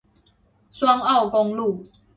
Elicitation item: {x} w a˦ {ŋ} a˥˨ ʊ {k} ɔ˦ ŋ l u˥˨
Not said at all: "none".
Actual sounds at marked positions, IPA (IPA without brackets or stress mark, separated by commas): s, ŋ, k